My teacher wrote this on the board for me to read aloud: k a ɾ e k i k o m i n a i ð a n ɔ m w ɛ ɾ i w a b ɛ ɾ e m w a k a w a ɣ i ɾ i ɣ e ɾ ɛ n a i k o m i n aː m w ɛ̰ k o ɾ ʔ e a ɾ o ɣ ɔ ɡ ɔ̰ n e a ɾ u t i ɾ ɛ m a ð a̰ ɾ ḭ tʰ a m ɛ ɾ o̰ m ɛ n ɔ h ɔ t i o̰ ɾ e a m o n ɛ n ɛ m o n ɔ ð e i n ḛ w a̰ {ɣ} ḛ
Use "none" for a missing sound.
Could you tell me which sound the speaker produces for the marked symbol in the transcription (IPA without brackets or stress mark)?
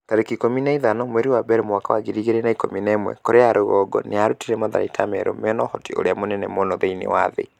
ð